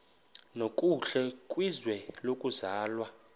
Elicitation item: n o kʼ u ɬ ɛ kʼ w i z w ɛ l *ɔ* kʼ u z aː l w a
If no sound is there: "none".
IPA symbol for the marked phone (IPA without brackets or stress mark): o